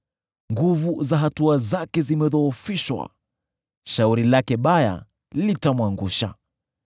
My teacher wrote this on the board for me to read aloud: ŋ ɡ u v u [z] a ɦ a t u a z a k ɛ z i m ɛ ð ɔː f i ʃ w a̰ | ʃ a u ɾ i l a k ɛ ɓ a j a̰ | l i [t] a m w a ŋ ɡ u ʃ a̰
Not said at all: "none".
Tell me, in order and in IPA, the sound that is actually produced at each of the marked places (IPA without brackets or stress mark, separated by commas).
z, t